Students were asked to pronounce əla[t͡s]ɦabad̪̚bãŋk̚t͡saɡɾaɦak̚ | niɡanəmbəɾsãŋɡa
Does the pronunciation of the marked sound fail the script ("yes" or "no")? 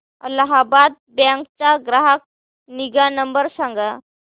yes